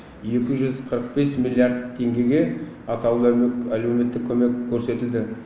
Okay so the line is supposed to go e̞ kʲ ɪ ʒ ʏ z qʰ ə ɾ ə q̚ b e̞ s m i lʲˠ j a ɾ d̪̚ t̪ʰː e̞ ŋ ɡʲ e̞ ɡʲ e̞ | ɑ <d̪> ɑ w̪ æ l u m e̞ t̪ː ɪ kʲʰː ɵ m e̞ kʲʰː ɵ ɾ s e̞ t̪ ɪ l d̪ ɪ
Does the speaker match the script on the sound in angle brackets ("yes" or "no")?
no